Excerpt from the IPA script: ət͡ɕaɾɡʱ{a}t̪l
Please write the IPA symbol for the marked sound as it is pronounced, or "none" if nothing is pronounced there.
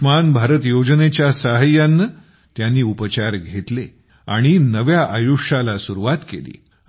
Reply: e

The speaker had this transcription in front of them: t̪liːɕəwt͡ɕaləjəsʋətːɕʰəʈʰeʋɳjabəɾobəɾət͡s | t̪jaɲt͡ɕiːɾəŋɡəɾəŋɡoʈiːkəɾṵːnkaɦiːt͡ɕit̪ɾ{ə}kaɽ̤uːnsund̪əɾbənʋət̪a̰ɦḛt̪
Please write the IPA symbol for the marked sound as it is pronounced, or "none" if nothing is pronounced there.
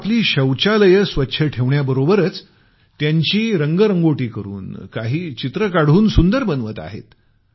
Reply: ə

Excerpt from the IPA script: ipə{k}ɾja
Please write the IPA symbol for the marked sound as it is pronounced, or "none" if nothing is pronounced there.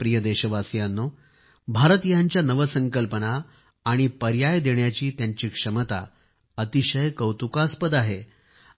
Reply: none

